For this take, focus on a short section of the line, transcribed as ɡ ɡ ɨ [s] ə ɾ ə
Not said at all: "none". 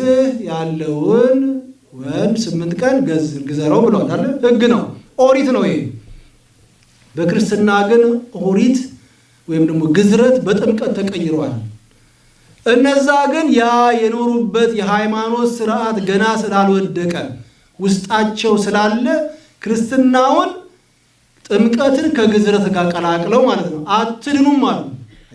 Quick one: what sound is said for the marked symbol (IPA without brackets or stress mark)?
z